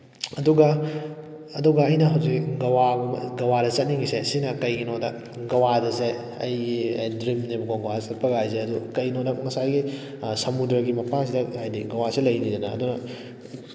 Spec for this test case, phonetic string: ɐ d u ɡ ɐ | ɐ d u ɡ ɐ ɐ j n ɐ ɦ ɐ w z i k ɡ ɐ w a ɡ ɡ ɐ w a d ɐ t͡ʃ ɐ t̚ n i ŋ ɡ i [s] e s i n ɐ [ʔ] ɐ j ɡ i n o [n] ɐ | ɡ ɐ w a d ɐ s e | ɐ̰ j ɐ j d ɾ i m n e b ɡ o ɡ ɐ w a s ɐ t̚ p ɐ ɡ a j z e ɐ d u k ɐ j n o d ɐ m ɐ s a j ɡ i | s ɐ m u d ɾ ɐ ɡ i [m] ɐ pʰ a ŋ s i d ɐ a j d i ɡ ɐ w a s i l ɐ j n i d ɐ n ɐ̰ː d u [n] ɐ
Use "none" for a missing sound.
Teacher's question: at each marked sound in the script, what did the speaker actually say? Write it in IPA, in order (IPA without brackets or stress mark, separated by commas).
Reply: s, k, d, m, n